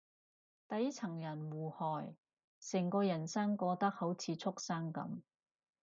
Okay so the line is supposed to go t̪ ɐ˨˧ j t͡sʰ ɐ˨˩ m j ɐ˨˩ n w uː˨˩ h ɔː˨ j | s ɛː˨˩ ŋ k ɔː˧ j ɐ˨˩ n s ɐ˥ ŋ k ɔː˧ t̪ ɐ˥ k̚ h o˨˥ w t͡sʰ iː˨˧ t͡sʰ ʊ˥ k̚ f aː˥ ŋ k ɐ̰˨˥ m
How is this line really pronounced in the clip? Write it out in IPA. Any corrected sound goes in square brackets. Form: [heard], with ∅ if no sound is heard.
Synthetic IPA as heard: t̪ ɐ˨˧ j t͡sʰ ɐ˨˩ [ŋ] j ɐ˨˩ n w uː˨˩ h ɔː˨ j | s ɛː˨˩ ŋ k ɔː˧ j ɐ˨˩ n s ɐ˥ ŋ k ɔː˧ t̪ ɐ˥ k̚ h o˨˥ w t͡sʰ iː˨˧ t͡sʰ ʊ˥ k̚ [s] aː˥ ŋ k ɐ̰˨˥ m